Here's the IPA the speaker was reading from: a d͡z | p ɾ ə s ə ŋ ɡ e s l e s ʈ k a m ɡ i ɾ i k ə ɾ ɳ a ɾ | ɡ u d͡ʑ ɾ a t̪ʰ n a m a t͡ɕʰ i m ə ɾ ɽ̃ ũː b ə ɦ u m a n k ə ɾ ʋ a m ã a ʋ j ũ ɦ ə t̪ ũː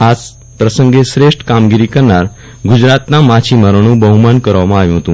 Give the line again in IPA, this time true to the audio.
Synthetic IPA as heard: a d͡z | p ɾ ə s ə ŋ ɡ e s ɾ e ʂ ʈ k a m ɡ i ɾ i k ə ɾ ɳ a ɾ | ɡ u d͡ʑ ɾ a t̪ n a m a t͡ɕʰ i m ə ɾ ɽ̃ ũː b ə ɦ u m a n k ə ɾ ʋ a m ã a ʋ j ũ ɦ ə t̪ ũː